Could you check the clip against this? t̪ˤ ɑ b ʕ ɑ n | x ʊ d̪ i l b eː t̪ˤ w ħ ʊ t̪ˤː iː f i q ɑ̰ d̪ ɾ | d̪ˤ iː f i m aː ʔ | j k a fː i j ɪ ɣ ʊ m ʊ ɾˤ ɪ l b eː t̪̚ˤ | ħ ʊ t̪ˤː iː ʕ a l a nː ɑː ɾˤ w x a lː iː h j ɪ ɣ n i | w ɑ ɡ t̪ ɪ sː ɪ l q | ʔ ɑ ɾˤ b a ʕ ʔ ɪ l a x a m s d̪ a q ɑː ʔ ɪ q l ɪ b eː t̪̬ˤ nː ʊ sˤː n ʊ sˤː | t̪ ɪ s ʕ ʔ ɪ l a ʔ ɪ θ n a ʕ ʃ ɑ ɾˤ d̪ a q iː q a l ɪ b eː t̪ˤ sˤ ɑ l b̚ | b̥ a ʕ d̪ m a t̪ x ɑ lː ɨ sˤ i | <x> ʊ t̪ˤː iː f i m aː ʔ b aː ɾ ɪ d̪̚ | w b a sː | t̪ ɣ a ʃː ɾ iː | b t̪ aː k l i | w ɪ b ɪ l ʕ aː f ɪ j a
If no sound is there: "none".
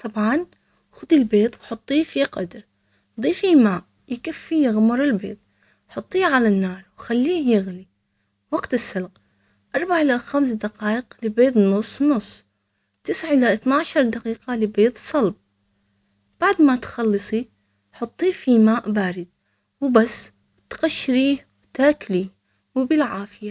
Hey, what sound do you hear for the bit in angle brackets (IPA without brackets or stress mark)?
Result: ħ